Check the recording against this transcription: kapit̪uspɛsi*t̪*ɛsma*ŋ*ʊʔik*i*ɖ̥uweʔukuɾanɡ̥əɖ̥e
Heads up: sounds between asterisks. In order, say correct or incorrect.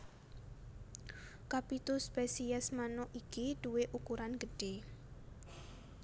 incorrect, incorrect, correct

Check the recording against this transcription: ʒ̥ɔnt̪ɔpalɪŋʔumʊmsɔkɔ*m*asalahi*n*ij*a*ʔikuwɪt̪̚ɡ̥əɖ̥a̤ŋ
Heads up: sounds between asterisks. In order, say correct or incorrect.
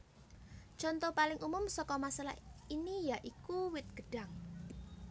correct, correct, correct

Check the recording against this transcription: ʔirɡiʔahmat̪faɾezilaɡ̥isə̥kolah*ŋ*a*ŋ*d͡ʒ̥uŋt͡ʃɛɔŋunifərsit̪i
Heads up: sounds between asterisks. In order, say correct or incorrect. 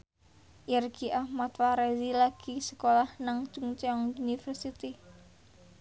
incorrect, correct

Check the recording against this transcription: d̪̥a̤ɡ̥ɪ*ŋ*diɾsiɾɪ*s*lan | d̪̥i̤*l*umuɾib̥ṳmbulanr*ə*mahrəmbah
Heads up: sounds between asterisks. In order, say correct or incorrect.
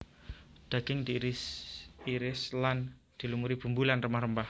correct, correct, correct, correct

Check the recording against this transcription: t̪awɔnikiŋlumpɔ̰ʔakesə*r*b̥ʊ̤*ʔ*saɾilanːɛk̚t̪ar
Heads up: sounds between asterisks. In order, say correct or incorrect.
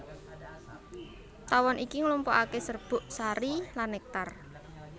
correct, correct

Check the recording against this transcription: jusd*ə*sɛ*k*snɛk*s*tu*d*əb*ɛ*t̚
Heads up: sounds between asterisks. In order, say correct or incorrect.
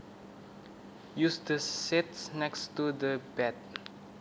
correct, incorrect, correct, correct, correct

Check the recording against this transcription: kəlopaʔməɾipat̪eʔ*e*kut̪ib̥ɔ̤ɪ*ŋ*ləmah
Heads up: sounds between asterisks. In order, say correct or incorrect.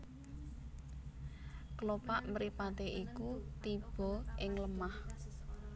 incorrect, correct

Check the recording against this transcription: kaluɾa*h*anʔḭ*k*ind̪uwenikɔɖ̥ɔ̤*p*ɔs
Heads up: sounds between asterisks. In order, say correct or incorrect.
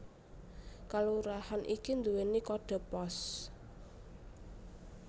correct, correct, correct

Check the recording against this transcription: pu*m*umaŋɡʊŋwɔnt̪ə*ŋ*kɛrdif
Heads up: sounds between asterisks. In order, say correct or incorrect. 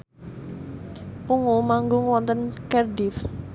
incorrect, incorrect

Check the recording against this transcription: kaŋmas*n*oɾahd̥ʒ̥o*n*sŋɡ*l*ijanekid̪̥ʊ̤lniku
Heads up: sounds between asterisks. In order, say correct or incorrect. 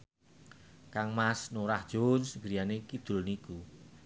correct, correct, incorrect

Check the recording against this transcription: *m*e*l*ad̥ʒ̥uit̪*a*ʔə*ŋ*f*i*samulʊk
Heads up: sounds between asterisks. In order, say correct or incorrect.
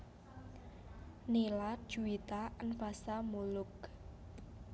incorrect, correct, correct, incorrect, incorrect

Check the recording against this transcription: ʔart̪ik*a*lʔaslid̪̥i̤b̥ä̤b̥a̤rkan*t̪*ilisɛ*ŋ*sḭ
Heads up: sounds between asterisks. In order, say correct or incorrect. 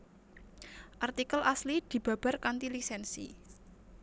incorrect, correct, incorrect

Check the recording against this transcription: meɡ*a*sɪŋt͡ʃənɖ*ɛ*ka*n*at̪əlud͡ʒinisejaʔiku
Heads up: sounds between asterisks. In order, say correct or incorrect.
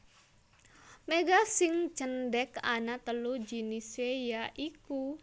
correct, correct, correct

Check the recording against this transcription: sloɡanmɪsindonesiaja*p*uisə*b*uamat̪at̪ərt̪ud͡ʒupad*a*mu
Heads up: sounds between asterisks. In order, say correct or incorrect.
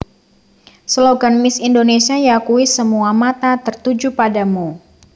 incorrect, incorrect, correct

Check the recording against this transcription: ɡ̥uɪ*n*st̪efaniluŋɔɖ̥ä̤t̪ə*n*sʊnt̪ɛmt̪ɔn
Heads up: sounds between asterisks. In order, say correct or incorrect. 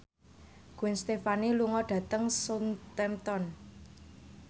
correct, incorrect

